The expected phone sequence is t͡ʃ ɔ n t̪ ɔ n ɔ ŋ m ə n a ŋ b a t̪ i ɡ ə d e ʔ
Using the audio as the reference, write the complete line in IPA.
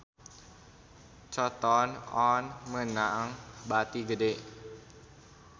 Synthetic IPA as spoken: t͡ʃ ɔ t̪ ɔ n ɔ n m ə n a ŋ b a t̪ i ɡ ə d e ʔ